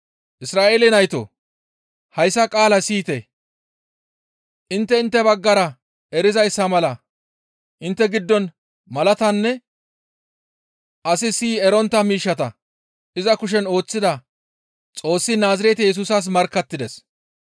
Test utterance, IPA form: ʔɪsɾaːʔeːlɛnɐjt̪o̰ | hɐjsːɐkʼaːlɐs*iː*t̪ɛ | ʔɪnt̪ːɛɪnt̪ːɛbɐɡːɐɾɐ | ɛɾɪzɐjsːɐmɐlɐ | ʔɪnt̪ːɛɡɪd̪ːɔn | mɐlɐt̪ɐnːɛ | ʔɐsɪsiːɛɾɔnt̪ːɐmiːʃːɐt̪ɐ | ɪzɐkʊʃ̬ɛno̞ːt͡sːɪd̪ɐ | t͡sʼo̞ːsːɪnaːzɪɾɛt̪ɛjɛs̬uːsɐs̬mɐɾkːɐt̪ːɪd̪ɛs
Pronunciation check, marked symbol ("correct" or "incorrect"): correct